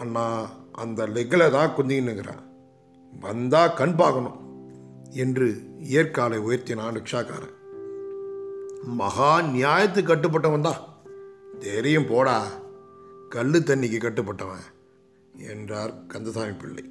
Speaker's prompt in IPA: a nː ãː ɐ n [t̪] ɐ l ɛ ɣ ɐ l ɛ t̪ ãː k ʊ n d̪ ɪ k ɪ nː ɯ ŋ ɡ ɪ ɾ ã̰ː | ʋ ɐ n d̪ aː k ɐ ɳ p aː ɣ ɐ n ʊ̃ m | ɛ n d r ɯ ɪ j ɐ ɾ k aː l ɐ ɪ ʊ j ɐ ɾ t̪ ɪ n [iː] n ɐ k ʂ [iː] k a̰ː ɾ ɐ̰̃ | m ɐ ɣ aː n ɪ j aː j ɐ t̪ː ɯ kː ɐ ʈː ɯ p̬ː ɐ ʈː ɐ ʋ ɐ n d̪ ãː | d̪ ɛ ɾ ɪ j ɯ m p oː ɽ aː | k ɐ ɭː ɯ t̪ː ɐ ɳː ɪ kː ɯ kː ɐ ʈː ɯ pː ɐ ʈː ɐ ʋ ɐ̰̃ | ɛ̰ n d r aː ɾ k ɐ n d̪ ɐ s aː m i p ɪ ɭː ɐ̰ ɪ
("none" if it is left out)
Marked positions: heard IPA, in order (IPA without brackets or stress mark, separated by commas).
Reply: d̪, aː, aː